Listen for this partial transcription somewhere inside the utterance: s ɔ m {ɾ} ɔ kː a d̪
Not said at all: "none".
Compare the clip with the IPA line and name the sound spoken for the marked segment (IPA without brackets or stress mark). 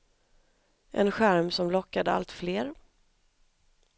l